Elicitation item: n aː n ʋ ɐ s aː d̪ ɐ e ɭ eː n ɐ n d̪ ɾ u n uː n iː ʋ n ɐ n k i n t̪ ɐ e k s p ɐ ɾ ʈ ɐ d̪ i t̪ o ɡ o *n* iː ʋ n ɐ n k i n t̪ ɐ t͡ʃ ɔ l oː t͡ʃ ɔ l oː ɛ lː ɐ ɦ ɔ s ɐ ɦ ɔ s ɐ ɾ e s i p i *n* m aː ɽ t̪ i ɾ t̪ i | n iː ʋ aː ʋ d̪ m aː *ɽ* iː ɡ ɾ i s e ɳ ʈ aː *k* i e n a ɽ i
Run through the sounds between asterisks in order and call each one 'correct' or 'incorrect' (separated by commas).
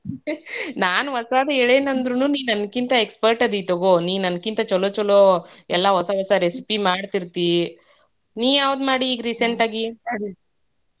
correct, incorrect, correct, incorrect